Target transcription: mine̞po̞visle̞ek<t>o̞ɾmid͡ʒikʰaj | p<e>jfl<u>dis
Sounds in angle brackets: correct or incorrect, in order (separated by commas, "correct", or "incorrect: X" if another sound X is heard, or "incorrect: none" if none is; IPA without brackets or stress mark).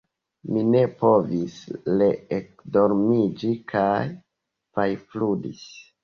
incorrect: d, incorrect: a, correct